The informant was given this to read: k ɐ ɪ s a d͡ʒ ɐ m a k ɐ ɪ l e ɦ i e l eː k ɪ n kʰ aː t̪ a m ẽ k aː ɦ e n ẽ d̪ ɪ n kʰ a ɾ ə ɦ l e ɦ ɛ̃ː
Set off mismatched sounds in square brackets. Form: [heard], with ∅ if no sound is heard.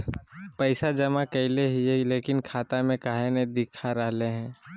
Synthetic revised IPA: [p] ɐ ɪ s a d͡ʒ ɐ m a k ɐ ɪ l e ɦ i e l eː k ɪ n kʰ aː t̪ a m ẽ k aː ɦ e n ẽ d̪ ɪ [∅] kʰ a ɾ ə ɦ l e ɦ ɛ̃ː